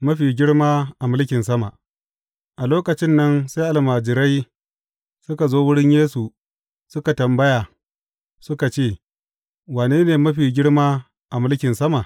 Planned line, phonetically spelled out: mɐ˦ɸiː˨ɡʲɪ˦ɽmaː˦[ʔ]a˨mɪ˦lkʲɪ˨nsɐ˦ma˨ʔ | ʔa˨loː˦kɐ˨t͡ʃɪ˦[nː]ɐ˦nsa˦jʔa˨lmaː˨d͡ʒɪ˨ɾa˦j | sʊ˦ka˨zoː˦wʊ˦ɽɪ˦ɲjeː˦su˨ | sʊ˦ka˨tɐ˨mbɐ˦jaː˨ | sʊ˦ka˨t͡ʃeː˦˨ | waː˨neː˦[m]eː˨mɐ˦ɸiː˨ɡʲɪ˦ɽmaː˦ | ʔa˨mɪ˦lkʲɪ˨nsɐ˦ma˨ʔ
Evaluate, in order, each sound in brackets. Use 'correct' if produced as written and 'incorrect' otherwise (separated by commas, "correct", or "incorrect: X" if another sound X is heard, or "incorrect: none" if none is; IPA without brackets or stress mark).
correct, correct, incorrect: n